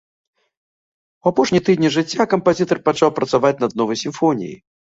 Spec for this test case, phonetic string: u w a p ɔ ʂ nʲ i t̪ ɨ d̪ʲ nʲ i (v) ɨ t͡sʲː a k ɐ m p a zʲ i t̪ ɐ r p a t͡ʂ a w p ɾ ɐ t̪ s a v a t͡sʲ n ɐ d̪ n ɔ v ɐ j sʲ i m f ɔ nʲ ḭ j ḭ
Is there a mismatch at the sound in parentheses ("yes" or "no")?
yes